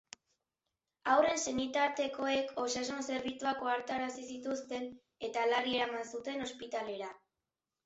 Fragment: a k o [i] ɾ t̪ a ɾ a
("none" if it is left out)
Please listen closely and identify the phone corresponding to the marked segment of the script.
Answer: a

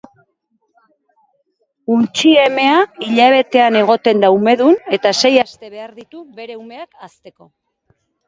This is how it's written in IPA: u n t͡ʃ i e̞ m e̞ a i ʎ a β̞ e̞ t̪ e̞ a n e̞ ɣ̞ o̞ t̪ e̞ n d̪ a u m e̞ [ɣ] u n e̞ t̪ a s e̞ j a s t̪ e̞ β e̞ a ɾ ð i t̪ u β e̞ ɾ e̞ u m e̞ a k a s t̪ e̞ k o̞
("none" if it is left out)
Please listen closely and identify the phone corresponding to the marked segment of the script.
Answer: ð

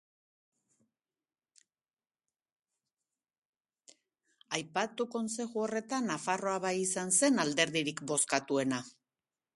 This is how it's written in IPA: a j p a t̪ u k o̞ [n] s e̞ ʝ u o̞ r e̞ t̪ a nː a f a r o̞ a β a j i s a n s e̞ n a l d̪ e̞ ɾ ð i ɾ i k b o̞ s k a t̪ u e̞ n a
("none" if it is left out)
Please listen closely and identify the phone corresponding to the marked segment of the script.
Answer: n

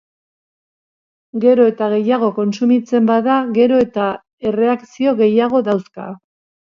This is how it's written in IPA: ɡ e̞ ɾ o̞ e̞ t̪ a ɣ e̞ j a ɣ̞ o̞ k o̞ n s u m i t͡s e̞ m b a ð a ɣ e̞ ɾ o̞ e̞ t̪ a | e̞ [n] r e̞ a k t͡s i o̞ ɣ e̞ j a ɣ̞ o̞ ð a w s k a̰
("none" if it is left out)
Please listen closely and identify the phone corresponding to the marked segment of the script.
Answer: none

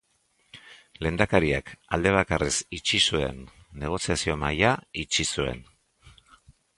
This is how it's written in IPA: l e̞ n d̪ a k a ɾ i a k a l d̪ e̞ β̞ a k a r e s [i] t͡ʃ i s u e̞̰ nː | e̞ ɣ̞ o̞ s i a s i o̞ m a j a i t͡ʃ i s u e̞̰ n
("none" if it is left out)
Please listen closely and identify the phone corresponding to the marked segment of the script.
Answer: i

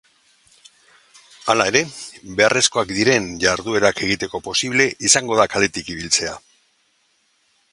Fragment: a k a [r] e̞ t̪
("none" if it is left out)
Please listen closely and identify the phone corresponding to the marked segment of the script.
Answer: l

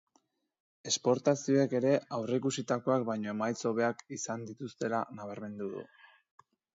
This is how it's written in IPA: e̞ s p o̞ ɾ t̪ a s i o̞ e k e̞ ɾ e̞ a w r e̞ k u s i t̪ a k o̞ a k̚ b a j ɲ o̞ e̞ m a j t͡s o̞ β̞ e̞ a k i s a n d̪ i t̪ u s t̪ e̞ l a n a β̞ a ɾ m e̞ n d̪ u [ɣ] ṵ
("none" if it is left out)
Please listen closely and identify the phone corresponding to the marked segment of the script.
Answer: ð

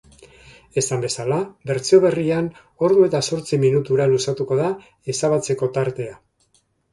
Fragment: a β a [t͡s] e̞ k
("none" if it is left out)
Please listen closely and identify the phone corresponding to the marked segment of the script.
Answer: t͡s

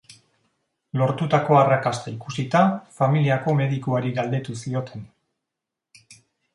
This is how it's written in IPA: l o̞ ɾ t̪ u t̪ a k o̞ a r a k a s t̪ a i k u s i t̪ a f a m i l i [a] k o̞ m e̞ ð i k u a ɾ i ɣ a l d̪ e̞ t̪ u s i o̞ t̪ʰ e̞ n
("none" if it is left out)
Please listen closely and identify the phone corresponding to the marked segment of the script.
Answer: a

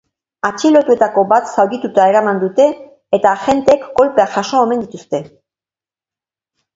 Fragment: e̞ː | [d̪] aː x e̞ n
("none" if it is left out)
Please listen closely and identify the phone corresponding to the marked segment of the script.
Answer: t̪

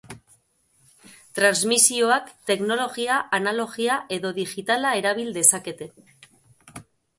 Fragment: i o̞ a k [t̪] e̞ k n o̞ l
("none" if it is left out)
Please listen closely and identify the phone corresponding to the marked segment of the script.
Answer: t̪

